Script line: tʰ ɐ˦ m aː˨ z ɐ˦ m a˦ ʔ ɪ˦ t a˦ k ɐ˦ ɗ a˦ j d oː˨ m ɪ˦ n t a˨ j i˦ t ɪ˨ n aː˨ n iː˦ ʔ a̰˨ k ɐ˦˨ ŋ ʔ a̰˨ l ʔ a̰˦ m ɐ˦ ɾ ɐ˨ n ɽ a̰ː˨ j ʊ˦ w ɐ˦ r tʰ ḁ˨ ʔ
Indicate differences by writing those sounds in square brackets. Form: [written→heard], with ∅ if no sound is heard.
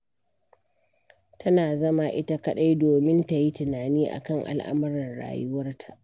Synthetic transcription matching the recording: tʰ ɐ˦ [m→n] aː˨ z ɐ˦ m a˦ ʔ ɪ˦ t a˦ k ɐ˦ ɗ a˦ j d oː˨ m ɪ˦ n t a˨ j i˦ t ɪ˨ n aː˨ n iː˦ ʔ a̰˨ k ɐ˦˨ ŋ ʔ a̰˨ l ʔ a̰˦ m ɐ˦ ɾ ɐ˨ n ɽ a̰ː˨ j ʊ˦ w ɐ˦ r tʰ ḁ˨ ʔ